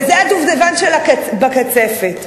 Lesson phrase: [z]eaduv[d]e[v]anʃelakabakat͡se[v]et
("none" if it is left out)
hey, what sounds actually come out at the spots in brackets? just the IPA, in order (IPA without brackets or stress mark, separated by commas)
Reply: z, d, v, f